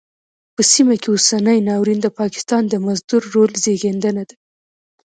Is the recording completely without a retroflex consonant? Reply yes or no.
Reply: yes